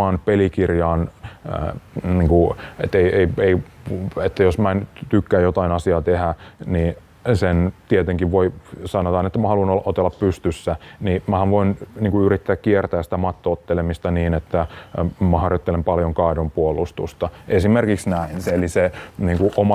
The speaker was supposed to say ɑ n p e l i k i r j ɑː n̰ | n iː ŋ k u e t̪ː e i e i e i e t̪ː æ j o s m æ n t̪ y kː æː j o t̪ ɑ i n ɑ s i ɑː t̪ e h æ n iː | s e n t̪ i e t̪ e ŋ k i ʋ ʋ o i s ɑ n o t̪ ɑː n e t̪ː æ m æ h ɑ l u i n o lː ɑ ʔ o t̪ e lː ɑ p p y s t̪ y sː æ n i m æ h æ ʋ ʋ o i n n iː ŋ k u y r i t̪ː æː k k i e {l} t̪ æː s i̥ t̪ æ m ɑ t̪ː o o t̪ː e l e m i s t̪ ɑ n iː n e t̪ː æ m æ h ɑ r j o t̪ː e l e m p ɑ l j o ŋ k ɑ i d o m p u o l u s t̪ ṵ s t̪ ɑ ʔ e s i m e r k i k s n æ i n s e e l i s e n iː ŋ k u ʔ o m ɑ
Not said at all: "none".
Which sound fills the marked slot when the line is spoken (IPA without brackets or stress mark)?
r